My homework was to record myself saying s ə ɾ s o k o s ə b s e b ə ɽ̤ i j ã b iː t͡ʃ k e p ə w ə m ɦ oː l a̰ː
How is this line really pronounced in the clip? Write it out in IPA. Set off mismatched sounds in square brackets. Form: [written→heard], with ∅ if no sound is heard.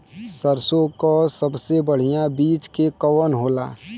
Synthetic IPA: s ə ɾ s o k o s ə b s e b ə ɽ̤ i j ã b iː t͡ʃ k e [p→k] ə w ə [m→n] ɦ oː l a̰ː